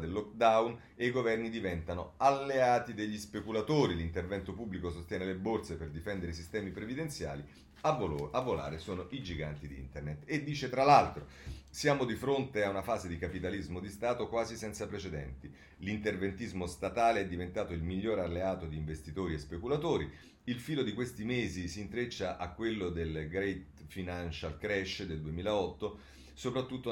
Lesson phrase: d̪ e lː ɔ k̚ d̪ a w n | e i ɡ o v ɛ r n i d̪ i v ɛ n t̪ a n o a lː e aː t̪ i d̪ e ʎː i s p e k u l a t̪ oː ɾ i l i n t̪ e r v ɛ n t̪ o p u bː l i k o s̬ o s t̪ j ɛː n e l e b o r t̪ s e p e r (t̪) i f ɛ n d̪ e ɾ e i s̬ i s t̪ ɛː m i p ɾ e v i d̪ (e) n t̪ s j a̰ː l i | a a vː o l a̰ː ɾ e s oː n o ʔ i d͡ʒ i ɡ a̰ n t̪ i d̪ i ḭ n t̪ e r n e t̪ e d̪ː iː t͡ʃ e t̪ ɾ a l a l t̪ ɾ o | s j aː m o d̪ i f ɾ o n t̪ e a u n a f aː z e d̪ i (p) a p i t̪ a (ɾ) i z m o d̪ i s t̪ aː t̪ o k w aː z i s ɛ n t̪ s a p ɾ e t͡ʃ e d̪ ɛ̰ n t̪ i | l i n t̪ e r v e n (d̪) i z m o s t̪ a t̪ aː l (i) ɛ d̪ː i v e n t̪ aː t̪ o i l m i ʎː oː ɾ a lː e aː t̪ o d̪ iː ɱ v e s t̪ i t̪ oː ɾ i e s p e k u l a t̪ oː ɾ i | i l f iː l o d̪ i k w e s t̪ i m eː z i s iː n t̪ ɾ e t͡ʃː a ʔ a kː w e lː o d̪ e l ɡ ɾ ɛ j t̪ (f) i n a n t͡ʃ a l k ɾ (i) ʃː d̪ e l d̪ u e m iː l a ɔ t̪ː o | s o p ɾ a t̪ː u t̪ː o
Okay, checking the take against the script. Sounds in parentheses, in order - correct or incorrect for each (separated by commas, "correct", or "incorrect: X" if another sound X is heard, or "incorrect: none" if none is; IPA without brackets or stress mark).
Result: incorrect: d̪, correct, incorrect: k, incorrect: l, incorrect: t̪, incorrect: e, correct, incorrect: ɛ